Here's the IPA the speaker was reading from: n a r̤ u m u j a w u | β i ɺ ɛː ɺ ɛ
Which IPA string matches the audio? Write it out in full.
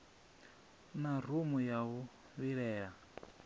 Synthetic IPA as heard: n a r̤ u m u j a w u | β i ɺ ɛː ɺ a